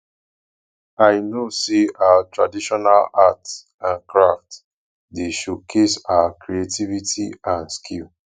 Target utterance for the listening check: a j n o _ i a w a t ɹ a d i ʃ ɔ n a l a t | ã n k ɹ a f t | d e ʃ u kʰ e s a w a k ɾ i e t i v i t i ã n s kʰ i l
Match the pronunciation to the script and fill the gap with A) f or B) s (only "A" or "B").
B